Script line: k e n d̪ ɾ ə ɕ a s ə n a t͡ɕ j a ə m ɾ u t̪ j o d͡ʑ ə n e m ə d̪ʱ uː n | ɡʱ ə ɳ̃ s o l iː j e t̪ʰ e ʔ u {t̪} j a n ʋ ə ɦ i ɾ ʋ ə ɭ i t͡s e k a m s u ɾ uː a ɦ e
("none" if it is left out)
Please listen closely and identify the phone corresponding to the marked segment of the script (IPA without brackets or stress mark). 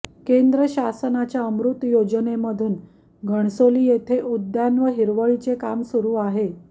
d̪